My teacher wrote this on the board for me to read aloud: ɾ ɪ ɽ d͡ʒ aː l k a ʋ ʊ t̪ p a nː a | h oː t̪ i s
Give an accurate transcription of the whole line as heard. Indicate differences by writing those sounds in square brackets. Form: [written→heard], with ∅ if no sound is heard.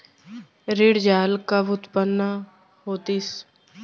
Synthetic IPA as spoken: ɾ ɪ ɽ d͡ʒ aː l k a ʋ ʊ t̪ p [a→ə] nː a | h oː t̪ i s

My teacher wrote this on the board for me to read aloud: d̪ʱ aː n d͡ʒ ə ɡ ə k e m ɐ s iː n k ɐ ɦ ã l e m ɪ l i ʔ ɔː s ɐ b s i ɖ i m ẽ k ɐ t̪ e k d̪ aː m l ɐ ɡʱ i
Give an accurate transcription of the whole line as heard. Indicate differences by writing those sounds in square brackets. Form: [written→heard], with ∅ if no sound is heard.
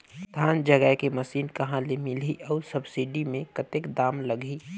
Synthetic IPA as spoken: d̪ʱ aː n d͡ʒ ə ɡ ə k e m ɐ s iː n k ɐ ɦ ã l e m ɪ l i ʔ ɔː s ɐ b s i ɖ i m ẽ k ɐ t̪ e k d̪ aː m l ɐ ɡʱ i

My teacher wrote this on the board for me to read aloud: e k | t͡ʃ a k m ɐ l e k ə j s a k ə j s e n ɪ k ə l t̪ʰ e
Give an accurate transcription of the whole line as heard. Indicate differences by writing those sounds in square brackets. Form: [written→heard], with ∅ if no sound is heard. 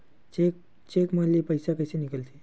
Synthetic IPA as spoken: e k | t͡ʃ [a→e] k m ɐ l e [k→p] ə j s a k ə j s e n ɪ k ə l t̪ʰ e

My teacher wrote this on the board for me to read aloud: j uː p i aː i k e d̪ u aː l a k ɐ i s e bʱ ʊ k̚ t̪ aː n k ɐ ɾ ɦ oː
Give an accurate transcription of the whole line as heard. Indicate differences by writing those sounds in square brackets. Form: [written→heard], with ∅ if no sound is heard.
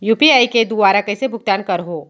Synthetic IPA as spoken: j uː p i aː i k e d̪ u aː [l→ɾ] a k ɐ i s e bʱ ʊ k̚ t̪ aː n k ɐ ɾ ɦ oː

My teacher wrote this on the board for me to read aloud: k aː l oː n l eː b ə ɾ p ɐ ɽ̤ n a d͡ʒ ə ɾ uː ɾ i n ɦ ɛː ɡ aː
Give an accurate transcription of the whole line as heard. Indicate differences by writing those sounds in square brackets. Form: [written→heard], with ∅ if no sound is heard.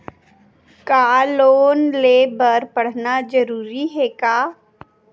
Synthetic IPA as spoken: k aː l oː n l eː b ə ɾ p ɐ ɽ̤ n a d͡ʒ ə ɾ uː ɾ i [n→∅] ɦ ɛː [ɡ→k] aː

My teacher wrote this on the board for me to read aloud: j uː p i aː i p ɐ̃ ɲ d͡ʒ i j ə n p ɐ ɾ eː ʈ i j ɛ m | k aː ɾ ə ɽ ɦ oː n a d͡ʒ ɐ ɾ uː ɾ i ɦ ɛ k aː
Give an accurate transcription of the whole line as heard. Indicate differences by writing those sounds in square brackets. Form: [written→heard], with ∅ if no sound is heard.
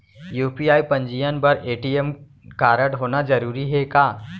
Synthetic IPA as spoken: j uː p i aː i p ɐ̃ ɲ d͡ʒ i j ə n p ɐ ɾ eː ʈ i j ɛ m | k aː ɾ ə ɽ ɦ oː n a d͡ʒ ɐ ɾ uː ɾ i ɦ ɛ k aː

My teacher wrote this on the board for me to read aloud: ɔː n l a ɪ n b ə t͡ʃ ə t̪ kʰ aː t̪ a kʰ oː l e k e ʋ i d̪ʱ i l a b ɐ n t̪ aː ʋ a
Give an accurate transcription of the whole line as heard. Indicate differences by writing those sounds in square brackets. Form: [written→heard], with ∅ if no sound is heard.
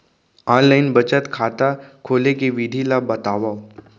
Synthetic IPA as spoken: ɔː n l a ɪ n b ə t͡ʃ ə t̪ kʰ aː t̪ a kʰ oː l e k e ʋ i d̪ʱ i l a b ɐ [n→∅] t̪ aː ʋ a

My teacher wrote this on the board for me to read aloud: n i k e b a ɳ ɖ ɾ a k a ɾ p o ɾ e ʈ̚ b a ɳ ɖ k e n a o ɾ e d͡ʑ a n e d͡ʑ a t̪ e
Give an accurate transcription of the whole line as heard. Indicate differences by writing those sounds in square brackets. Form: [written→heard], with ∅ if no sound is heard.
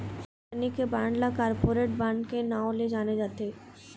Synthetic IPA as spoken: n i k e b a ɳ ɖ [ɾ→l] a k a ɾ p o ɾ e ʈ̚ b a ɳ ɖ k e n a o [ɾ→l] e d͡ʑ a n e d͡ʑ a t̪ e

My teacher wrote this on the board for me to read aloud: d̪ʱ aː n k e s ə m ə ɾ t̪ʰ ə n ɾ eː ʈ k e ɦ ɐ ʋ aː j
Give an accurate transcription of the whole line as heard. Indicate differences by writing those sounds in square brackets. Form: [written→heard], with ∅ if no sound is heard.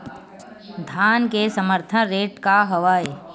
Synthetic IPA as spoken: d̪ʱ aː n k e s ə m ə ɾ t̪ʰ ə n ɾ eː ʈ k [e→a] ɦ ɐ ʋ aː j

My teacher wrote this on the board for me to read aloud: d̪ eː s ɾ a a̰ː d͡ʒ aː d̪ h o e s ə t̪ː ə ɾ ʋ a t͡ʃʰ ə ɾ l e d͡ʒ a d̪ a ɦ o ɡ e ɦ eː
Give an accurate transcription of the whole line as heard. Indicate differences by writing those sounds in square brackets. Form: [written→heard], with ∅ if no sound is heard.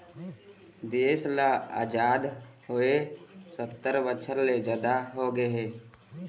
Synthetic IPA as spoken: d̪ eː s [ɾ→l] a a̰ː d͡ʒ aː d̪ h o e s ə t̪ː ə ɾ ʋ [a→ə] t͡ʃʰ ə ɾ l e d͡ʒ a d̪ a ɦ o ɡ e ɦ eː

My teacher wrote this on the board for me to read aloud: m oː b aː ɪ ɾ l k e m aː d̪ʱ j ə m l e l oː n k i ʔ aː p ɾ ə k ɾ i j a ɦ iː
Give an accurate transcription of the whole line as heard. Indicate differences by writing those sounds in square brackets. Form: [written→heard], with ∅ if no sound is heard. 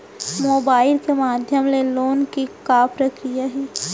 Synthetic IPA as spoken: m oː b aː ɪ [ɾ→∅] l k e m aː d̪ʱ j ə m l e l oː n k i [ʔ→k] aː p ɾ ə k ɾ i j a ɦ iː

